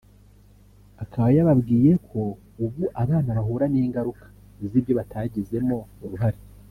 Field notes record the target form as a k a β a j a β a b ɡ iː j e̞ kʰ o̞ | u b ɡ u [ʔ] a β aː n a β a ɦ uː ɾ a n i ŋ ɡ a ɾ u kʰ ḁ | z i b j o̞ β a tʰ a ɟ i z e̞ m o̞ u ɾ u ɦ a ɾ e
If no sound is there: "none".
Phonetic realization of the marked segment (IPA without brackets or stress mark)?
ʔ